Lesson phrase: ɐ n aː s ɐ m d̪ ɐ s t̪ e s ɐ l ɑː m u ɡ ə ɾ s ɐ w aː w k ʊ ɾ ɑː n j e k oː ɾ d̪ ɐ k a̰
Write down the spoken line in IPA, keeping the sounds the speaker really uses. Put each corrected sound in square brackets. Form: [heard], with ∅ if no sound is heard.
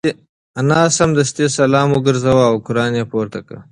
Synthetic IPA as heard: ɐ n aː s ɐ m d̪ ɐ s t̪ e s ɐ l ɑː m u ɡ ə ɾ [z] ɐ w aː w k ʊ ɾ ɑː n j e [p] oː ɾ [t̪] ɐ k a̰